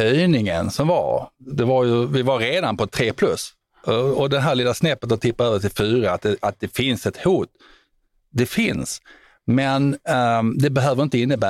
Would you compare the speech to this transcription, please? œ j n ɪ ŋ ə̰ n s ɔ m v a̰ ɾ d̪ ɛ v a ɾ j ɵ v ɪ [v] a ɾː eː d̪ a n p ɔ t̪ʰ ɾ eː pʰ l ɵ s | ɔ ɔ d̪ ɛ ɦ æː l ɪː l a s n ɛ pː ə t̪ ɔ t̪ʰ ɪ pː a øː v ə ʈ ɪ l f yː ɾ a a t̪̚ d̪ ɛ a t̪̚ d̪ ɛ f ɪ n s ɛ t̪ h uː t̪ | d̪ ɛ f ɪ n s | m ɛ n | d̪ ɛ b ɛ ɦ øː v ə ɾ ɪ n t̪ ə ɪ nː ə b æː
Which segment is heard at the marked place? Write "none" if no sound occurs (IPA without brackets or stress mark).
v